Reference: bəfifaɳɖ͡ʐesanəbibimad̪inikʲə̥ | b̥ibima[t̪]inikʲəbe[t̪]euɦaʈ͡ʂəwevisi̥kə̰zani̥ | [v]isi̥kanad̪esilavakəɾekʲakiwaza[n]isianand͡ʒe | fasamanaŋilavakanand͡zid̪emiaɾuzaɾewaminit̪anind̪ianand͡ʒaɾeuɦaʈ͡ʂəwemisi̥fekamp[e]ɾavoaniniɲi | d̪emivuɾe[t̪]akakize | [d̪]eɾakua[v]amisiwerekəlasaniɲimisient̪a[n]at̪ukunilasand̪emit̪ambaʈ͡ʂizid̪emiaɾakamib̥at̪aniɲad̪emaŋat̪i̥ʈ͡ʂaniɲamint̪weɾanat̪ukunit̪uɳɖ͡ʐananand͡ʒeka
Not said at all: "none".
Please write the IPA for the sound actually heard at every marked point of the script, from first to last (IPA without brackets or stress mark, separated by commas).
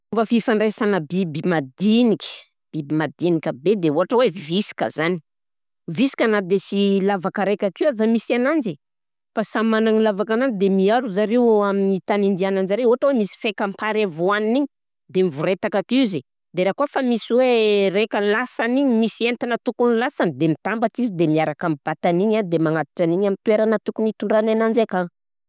d̪, d̪, v, m, a, t̪, d̪, f, n